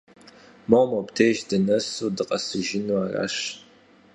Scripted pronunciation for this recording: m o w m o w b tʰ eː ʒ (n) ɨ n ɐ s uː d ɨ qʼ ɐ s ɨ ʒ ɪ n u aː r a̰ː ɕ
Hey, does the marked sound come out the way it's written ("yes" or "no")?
no